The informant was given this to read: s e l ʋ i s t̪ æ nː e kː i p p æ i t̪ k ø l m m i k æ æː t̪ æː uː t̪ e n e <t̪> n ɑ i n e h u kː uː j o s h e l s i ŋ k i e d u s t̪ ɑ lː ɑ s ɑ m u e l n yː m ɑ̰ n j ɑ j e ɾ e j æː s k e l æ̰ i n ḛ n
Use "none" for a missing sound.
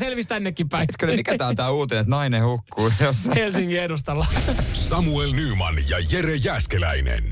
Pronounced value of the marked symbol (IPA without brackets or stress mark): t̪